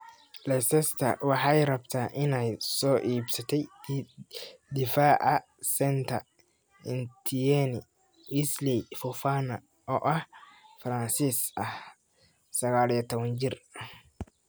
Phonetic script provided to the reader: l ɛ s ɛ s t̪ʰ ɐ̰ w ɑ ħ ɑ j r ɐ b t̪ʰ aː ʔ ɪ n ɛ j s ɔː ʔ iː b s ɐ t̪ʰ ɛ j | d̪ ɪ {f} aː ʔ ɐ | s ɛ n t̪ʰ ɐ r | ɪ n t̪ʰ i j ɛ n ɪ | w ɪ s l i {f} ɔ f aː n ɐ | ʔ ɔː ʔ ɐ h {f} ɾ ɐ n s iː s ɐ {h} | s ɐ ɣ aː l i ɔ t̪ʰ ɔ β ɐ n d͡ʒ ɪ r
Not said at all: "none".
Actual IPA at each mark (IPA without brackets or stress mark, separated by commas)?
f, f, f, h